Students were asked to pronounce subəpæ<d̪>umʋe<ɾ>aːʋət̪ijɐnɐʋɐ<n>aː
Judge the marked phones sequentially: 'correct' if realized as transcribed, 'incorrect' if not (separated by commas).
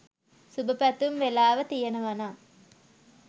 incorrect, incorrect, correct